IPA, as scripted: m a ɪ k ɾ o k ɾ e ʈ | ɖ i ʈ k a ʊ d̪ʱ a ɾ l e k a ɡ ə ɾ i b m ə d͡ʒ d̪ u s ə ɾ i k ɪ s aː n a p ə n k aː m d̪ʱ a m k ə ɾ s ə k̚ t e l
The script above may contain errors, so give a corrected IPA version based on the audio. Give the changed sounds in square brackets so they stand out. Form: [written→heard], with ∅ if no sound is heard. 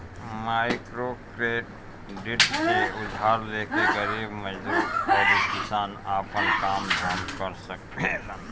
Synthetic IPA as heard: m a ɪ k ɾ o k ɾ e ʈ | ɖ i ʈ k [a→e] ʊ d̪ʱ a ɾ l e k [a→e] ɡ ə ɾ i b m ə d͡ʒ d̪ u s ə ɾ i k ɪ s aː n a p ə n k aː m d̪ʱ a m k ə ɾ s ə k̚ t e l